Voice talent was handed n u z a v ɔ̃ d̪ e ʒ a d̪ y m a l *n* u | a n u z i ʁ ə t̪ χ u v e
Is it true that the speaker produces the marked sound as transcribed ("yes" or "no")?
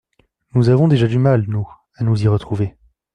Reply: yes